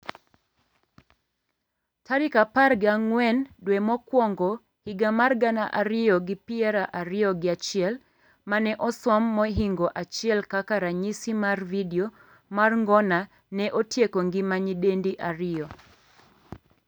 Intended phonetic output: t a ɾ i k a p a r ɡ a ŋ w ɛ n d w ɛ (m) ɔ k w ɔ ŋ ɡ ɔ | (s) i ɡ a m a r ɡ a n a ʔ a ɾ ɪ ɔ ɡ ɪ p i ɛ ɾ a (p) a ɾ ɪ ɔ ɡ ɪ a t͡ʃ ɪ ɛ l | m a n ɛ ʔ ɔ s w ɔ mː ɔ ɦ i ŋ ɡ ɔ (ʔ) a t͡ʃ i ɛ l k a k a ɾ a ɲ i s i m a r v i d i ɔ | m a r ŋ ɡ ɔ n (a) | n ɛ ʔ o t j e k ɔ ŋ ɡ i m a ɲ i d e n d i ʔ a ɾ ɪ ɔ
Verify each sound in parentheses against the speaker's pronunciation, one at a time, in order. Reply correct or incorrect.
correct, incorrect, incorrect, correct, correct

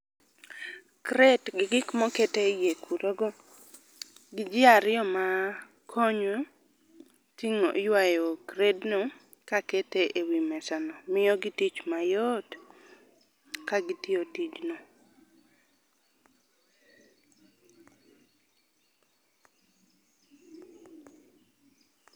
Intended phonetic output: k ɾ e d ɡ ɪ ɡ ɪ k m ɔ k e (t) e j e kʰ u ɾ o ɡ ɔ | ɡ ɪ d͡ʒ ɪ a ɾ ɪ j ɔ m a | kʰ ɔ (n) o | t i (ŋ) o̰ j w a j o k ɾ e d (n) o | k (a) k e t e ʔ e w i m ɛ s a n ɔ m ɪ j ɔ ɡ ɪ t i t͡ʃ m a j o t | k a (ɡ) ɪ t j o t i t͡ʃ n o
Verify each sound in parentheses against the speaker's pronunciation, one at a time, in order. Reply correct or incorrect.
correct, incorrect, correct, correct, correct, correct

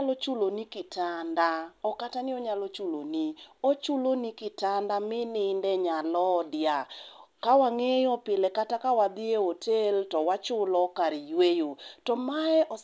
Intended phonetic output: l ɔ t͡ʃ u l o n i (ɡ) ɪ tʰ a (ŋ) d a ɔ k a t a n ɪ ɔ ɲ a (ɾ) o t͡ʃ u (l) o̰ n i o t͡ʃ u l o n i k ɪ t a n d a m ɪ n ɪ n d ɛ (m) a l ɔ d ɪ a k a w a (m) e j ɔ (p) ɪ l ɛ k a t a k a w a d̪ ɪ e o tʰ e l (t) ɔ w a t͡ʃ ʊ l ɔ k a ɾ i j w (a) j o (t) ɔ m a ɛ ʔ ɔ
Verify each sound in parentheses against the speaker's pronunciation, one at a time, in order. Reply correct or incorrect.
incorrect, incorrect, incorrect, correct, incorrect, incorrect, correct, correct, incorrect, correct

